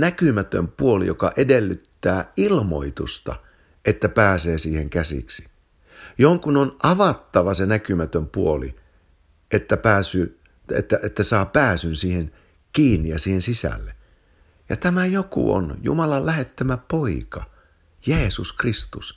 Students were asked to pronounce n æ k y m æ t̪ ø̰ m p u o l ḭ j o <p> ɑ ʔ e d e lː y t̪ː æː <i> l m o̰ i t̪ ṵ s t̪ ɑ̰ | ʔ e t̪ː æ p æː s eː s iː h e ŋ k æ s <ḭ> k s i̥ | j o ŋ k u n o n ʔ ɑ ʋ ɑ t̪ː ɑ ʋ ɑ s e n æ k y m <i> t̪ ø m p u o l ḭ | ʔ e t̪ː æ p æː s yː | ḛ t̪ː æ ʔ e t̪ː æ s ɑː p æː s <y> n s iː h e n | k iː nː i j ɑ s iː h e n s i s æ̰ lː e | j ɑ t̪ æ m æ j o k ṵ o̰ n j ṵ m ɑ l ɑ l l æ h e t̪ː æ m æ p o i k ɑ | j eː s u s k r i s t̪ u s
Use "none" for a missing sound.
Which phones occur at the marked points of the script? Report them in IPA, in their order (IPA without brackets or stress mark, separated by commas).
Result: k, i, ḭ, æ, y